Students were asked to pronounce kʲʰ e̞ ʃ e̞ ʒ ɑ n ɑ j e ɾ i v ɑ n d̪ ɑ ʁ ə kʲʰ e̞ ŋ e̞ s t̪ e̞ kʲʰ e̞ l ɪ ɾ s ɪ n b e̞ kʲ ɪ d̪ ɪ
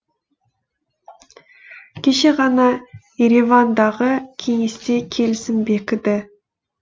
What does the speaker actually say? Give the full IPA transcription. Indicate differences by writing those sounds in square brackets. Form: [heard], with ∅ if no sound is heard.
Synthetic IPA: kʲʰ e̞ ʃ e̞ [ʁ] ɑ n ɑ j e ɾ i v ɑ n d̪ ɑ ʁ ə kʲʰ e̞ ŋ e̞ s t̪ e̞ kʲʰ e̞ l ɪ [∅] s ɪ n b e̞ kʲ ɪ d̪ ɪ

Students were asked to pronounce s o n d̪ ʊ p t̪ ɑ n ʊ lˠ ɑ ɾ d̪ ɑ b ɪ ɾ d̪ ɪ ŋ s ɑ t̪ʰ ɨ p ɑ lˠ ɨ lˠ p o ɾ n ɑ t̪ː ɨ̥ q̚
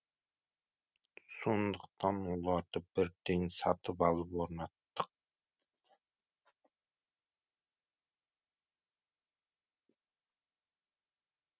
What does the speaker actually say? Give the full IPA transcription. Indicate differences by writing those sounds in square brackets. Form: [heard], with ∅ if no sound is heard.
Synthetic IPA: s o n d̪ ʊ [q] t̪ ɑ n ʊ lˠ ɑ ɾ d̪ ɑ b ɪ ɾ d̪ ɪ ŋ s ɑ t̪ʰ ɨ p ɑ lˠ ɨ [∅] p o ɾ n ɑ t̪ː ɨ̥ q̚

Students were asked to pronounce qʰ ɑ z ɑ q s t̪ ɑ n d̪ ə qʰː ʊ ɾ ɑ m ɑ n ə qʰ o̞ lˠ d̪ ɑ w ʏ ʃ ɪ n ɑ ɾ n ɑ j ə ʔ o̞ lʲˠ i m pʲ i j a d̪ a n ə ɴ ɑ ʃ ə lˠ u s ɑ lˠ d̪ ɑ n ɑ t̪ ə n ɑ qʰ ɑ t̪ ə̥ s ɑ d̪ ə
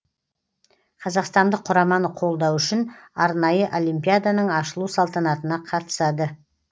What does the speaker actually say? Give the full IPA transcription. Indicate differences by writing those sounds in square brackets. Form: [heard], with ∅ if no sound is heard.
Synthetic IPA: qʰ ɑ z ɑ q s t̪ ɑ n d̪ ə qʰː ʊ ɾ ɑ m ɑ n ə qʰ o̞ lˠ d̪ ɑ w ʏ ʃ ɪ n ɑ ɾ n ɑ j ə ʔ o̞ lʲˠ i m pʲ i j a d̪ a n ə ɴ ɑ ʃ ə lˠ u s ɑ lˠ [t̪] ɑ n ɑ t̪ ə n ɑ qʰ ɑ t̪ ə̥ s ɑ d̪ ə

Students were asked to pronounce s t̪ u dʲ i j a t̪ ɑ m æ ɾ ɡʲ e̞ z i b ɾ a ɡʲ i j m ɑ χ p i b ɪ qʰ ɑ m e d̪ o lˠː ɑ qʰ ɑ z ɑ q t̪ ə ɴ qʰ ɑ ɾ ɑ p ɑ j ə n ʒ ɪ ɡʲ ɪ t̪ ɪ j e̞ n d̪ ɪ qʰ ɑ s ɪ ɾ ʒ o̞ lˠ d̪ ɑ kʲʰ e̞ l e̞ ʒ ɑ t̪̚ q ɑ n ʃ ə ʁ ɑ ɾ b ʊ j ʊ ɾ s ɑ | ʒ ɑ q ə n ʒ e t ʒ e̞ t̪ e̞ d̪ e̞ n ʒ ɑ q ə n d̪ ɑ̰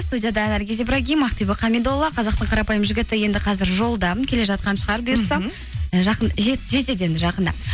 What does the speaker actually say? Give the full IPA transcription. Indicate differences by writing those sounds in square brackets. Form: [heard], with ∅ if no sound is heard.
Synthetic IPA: s t̪ u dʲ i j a [d̪] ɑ [n] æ ɾ ɡʲ e̞ z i b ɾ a ɡʲ i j m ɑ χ p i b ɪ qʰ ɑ m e d̪ o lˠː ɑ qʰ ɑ z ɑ q t̪ ə ɴ qʰ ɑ ɾ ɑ p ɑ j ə [m] ʒ ɪ ɡʲ ɪ t̪ ɪ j e̞ n d̪ ɪ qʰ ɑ [z] ɪ ɾ ʒ o̞ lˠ d̪ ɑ kʲʰ e̞ l e̞ ʒ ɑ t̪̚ q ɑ n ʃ ə ʁ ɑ ɾ b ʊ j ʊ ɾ s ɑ | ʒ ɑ q ə n ʒ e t ʒ e̞ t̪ e̞ d̪ e̞ n ʒ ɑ q ə n d̪ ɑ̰

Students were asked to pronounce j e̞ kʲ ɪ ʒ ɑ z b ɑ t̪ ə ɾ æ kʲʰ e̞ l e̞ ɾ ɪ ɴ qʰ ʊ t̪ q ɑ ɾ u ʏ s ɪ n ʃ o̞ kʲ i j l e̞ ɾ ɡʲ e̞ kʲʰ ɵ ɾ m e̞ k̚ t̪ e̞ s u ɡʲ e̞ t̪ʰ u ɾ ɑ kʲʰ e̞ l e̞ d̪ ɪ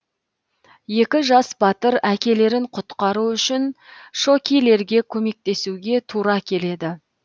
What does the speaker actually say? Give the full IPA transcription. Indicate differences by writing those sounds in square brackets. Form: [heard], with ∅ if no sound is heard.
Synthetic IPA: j e̞ kʲ ɪ ʒ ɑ [s] b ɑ t̪ ə ɾ æ [kʲ] e̞ l e̞ ɾ ɪ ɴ qʰ ʊ t̪ q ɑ ɾ u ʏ [ʃ] ɪ n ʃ o̞ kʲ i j l e̞ ɾ ɡʲ e̞ kʲʰ ɵ [∅] m e̞ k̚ t̪ e̞ s u ɡʲ e̞ t̪ʰ u ɾ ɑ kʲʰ e̞ l e̞ d̪ ɪ

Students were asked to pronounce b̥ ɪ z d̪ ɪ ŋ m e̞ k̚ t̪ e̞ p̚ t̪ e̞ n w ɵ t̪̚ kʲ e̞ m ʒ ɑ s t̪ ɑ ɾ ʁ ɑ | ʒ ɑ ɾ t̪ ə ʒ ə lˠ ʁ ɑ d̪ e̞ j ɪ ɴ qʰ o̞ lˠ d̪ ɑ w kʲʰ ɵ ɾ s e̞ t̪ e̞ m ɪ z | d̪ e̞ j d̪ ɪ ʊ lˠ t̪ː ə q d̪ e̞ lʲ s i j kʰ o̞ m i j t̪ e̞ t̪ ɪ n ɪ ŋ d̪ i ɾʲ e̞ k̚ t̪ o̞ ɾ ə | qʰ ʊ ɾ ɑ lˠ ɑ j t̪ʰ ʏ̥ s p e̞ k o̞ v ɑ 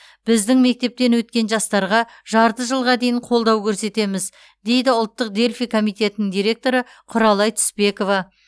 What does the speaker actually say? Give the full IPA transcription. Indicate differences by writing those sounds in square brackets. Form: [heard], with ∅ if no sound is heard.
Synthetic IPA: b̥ ɪ z d̪ ɪ ŋ m e̞ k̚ t̪ e̞ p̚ t̪ e̞ n w ɵ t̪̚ kʲ e̞ [n] ʒ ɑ s t̪ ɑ ɾ ʁ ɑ | ʒ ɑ ɾ t̪ ə ʒ ə lˠ ʁ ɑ d̪ e̞ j ɪ ɴ qʰ o̞ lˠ d̪ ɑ w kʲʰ ɵ ɾ s e̞ t̪ e̞ m ɪ z | d̪ e̞ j d̪ ɪ ʊ lˠ t̪ː ə q d̪ e̞ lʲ [f] i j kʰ o̞ m i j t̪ e̞ t̪ ɪ n ɪ ŋ d̪ i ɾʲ e̞ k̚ t̪ o̞ ɾ ə | qʰ ʊ ɾ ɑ lˠ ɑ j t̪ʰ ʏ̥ s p e̞ k o̞ v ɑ

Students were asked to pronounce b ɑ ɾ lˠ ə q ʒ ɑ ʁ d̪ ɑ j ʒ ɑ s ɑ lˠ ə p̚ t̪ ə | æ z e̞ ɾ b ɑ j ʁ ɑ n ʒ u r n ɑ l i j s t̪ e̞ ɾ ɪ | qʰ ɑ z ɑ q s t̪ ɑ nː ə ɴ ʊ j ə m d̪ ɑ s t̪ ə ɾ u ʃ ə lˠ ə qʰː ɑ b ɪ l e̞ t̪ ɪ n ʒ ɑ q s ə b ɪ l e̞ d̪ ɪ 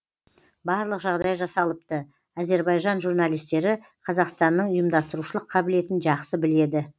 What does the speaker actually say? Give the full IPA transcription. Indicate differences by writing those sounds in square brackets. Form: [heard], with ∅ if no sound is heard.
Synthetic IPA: b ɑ ɾ lˠ ə q ʒ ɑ ʁ d̪ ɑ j ʒ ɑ s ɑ lˠ ə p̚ t̪ ə | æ z e̞ ɾ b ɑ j [ʒ] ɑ n ʒ u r n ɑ l i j s t̪ e̞ ɾ ɪ | qʰ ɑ z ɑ q s t̪ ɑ nː ə ɴ ʊ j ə m d̪ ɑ s t̪ ə ɾ u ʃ ə lˠ ə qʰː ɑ b ɪ l e̞ t̪ ɪ n ʒ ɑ q s ə b ɪ l e̞ d̪ ɪ

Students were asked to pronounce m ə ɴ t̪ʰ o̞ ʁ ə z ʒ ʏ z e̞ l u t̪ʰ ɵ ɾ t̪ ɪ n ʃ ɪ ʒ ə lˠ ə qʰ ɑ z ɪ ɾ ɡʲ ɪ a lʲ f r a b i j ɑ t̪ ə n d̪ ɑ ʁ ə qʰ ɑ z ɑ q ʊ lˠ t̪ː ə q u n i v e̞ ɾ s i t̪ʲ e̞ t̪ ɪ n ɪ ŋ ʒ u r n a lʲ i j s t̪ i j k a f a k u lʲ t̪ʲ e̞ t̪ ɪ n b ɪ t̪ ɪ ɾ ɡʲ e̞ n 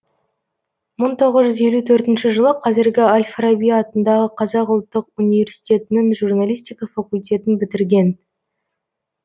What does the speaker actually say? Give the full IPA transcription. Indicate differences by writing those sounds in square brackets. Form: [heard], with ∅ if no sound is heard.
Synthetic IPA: m ə ɴ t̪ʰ o̞ ʁ ə z ʒ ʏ z e̞ l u t̪ʰ ɵ ɾ t̪ ɪ n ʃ ɪ ʒ ə lˠ ə qʰ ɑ z ɪ ɾ ɡʲ ɪ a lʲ f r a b i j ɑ t̪ ə n d̪ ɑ ʁ ə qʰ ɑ z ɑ q ʊ lˠ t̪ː ə q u n i v e̞ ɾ s i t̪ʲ e̞ t̪ ɪ n ɪ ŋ ʒ u r n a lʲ i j s t̪ i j k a f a k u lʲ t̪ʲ e̞ t̪ ɪ n b ɪ t̪ ɪ ɾ ɡʲ e̞ n

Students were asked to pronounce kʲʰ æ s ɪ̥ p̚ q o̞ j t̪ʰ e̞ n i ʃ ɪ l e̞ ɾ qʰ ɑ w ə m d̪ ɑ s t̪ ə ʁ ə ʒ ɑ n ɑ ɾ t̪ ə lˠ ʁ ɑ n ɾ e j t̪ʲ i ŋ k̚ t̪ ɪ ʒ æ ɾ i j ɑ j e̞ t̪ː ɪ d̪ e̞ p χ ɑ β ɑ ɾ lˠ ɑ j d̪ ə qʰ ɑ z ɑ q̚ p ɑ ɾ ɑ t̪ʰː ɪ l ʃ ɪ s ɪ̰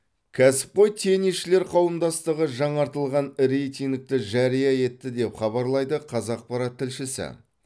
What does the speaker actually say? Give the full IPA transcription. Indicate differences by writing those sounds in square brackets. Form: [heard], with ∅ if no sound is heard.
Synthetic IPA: kʲʰ æ s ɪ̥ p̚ q o̞ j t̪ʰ e̞ n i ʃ ɪ l e̞ ɾ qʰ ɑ w ə m d̪ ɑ s t̪ ə ʁ ə ʒ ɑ [ɴ] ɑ ɾ t̪ ə lˠ ʁ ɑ n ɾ e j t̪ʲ i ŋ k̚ t̪ ɪ ʒ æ ɾ i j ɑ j e̞ t̪ː ɪ d̪ e̞ p χ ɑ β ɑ ɾ lˠ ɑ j d̪ ə qʰ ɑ z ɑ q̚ p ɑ ɾ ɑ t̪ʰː ɪ l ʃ ɪ s ɪ̰

